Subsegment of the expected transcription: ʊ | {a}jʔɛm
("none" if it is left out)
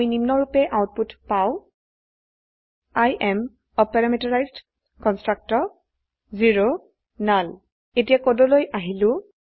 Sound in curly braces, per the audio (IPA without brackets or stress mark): a